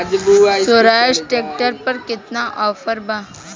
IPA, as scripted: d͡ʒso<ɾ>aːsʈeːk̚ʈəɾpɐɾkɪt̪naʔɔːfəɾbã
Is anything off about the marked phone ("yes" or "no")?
no